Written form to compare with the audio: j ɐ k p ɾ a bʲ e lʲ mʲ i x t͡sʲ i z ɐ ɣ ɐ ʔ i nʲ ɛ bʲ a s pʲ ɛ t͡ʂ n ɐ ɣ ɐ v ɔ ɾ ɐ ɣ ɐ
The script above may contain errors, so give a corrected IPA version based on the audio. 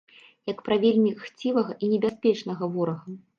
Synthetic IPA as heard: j ɐ k p ɾ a vʲ e lʲ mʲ i x t͡sʲ i v ɐ ɣ ɐ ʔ i nʲ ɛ bʲ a s pʲ ɛ t͡ʂ n ɐ ɣ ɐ v ɔ ɾ ɐ ɣ ɐ